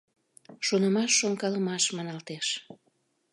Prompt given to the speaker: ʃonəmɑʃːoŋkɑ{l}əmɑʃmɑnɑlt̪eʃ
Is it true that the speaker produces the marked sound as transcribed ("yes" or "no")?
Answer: yes